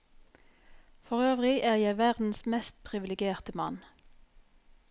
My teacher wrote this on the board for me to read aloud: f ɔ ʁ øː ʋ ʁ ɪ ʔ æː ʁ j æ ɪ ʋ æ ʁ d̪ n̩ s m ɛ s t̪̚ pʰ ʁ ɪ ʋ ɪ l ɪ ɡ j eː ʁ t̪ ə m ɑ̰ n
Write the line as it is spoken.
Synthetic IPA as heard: f ɔ ʁ øː ʋ ʁ ɪ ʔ æː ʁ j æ ɪ ʋ æ ʁ d̪ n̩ s m ɛ s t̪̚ pʰ ʁ ɪ ʋ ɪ l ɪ ɡ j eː ʁ t̪ ə m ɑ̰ n